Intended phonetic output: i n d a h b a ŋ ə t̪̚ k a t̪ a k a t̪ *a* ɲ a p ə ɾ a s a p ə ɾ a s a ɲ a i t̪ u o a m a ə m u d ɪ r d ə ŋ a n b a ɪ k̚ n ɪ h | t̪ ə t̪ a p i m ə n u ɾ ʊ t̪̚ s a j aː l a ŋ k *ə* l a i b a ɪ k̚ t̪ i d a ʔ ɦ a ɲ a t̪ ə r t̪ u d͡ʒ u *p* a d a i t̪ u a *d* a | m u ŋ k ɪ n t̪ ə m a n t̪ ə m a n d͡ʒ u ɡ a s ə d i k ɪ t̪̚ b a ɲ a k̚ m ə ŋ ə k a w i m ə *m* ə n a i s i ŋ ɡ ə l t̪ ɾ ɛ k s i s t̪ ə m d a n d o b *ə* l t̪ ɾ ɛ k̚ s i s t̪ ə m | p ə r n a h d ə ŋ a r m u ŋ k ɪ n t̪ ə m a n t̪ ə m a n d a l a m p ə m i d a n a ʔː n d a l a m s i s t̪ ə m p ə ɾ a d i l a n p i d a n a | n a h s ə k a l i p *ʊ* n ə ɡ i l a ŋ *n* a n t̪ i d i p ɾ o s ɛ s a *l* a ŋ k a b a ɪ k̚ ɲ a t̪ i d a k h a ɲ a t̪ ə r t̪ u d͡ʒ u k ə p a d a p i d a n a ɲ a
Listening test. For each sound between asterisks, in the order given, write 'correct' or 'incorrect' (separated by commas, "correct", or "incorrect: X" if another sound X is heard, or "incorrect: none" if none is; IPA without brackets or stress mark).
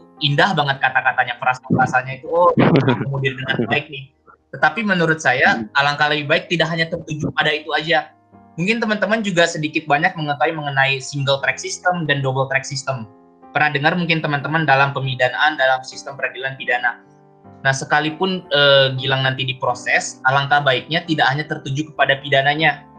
correct, incorrect: a, correct, incorrect: d͡ʒ, incorrect: ŋ, correct, correct, correct, correct